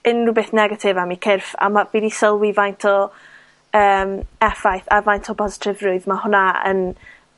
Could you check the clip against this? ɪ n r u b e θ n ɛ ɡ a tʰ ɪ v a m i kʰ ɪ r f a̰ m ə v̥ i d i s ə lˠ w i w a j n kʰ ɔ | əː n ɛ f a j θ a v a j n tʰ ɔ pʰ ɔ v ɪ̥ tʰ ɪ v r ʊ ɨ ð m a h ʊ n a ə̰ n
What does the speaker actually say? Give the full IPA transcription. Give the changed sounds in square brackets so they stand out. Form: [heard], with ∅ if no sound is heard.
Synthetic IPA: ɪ n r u b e θ n ɛ ɡ a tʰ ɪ v a m i kʰ ɪ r f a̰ m [a] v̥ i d i s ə lˠ w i [v] a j n [tʰ] ɔ | əː [m] ɛ f a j θ a v a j n tʰ ɔ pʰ ɔ [z] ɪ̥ tʰ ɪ v r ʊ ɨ ð m a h ʊ n a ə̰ n